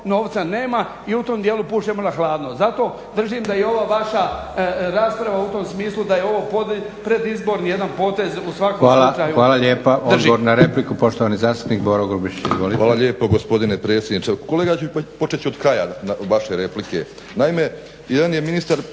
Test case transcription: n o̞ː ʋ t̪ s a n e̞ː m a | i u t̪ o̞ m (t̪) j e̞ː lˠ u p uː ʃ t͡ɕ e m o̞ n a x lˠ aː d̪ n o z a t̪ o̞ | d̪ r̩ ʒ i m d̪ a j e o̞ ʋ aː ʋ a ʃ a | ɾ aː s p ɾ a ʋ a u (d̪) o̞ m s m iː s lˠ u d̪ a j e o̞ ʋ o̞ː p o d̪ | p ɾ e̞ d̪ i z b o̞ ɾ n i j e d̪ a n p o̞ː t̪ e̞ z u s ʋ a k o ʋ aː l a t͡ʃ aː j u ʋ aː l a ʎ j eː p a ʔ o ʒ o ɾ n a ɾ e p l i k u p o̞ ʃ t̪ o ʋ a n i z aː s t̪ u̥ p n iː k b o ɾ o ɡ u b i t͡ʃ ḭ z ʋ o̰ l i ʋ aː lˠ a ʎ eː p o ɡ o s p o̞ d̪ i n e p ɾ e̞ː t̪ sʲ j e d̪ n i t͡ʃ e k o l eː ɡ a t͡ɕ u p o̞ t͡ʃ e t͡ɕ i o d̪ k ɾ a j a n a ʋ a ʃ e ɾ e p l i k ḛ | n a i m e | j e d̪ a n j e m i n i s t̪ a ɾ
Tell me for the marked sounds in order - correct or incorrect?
incorrect, incorrect

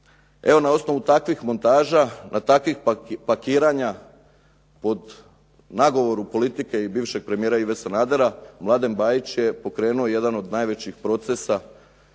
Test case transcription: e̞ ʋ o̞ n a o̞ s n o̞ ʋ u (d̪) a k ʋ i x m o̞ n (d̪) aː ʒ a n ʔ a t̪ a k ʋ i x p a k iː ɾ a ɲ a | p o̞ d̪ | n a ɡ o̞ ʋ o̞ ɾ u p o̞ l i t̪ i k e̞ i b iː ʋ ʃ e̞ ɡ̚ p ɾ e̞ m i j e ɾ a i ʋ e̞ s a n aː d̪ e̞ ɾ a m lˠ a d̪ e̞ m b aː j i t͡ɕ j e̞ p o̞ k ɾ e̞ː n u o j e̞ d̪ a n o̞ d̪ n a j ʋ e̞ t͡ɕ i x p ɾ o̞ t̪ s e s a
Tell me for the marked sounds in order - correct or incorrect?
incorrect, incorrect

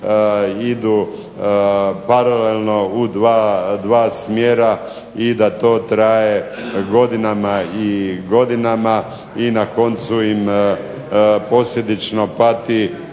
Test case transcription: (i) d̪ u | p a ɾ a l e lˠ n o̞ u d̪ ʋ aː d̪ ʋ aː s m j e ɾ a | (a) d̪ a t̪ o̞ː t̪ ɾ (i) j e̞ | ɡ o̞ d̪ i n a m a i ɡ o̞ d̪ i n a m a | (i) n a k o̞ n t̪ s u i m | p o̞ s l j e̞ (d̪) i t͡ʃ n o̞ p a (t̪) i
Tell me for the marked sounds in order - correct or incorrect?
correct, incorrect, incorrect, correct, correct, correct

